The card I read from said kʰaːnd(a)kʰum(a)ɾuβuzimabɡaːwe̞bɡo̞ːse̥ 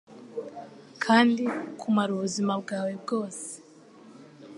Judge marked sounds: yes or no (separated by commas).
no, yes